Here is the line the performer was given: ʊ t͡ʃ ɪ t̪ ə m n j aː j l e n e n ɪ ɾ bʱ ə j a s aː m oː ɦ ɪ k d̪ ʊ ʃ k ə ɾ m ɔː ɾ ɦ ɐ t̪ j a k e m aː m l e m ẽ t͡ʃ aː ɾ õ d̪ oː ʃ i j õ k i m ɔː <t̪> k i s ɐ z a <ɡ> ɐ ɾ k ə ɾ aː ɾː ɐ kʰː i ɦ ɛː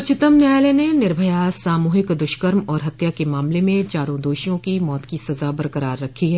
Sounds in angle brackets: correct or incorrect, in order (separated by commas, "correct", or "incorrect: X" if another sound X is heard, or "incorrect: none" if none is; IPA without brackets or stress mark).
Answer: correct, incorrect: b